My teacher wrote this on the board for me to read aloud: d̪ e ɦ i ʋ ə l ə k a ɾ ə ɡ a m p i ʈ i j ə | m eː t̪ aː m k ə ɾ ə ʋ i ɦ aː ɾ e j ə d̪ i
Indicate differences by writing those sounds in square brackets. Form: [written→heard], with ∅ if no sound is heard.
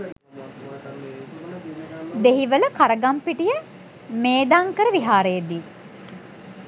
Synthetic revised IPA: d̪ e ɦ i ʋ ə l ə k a ɾ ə ɡ a m p i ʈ i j ə | m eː [t̪→d̪] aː [m→ŋ] k ə ɾ ə ʋ i ɦ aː ɾ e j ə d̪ i

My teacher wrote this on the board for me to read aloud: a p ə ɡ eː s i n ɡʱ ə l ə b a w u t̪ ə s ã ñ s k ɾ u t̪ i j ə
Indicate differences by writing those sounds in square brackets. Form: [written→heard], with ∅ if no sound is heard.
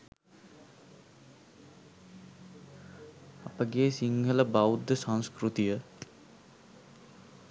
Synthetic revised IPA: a p ə ɡ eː s i [n→ŋ] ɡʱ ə l ə b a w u [t̪→d̪] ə s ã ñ s k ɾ u t̪ i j ə

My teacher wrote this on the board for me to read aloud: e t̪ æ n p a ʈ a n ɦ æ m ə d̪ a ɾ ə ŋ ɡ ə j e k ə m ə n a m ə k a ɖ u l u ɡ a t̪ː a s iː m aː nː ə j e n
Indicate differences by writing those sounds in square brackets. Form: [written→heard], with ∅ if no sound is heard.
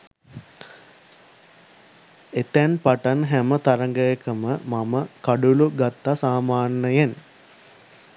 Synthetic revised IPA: e t̪ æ n p a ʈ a n ɦ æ m ə [d̪→t̪] a ɾ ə ŋ ɡ ə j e k ə m ə [n→m] a m ə k a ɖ u l u ɡ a t̪ː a s [iː→aː] m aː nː ə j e n

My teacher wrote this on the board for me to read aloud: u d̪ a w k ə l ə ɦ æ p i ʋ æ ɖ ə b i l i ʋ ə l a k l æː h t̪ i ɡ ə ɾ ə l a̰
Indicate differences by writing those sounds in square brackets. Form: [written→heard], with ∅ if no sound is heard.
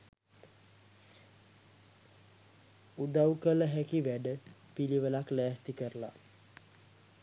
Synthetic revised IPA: u d̪ a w k ə l ə ɦ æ [p→k] i ʋ æ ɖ ə [b→p] i l i ʋ ə l a k l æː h t̪ i [ɡ→k] ə ɾ ə l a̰

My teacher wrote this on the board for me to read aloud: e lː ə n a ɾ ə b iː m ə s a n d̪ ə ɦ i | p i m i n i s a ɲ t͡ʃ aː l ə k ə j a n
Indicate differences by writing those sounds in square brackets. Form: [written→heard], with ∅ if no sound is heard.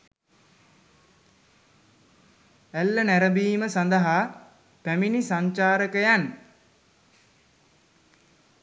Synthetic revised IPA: [e→æ] lː ə n [a→æ] ɾ ə b iː m ə s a n d̪ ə ɦ [i→a] | p [i→æ] m i n i s a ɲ t͡ʃ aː [l→ɾ] ə k ə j a n

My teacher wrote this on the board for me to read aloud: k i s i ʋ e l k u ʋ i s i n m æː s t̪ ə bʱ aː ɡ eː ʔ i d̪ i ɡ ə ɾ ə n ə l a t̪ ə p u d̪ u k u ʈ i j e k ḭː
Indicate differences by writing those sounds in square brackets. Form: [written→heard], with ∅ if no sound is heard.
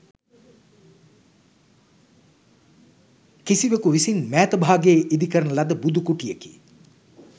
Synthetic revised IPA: k i s i ʋ e [l→∅] k u ʋ i s i n m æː [s→∅] t̪ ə bʱ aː ɡ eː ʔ i d̪ i [ɡ→k] ə ɾ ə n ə l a [t̪→d̪] ə [p→b] u d̪ u k u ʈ i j e k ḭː

